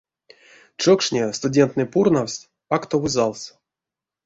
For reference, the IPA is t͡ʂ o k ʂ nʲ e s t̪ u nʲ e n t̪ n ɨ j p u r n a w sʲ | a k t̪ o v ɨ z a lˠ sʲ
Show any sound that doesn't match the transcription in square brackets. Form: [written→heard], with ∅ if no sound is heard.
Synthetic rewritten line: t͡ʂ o k ʂ nʲ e s t̪ u [nʲ→dʲ] e n t̪ n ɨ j p u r n a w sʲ | a k t̪ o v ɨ z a lˠ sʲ